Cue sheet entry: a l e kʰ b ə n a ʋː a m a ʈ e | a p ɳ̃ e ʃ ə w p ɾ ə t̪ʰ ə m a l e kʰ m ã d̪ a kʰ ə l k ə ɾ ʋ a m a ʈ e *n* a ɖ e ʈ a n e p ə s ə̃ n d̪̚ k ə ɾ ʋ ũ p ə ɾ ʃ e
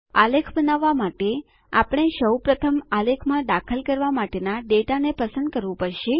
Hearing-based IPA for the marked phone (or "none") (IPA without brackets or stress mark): n